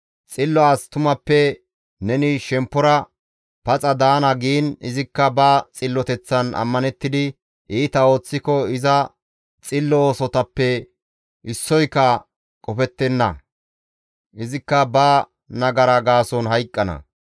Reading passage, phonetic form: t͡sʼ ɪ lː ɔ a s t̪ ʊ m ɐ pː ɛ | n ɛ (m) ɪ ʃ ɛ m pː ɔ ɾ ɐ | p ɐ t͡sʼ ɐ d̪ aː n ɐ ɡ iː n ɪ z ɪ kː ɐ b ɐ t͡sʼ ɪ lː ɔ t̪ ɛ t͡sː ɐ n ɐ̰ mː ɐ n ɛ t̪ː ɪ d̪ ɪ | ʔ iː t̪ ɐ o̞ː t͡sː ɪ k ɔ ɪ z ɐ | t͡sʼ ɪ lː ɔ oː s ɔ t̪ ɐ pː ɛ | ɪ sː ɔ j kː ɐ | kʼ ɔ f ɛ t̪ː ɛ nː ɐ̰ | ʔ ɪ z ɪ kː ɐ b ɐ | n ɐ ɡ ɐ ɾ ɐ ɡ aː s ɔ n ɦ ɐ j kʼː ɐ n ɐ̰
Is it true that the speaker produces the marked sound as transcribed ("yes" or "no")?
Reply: no